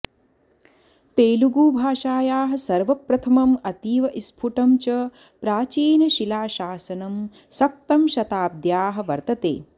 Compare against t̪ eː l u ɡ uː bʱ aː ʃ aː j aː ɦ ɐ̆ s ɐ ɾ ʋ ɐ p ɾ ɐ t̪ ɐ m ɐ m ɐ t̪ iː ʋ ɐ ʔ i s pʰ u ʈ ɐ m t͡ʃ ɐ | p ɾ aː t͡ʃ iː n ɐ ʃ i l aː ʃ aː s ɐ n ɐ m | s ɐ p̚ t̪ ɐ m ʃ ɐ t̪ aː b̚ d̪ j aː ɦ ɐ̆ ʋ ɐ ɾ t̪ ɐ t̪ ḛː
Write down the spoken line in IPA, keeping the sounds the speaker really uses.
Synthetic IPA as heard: t̪ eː l u ɡ uː bʱ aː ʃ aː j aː ɦ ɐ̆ s ɐ ɾ ʋ ɐ p ɾ ɐ t̪ʰ ɐ m ɐ m ɐ t̪ iː ʋ ɐ ʔ i s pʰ u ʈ ɐ m t͡ʃ ɐ | p ɾ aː t͡ʃ iː n ɐ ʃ i l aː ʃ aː s ɐ n ɐ m | s ɐ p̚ t̪ ɐ m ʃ ɐ t̪ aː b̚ d̪ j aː ɦ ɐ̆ ʋ ɐ ɾ t̪ ɐ t̪ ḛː